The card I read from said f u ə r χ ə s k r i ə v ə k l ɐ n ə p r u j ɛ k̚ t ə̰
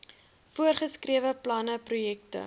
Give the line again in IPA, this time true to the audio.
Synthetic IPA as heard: f u ə r χ ə s k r i ə v ə p l ɐ n ə p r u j ɛ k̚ t ə̰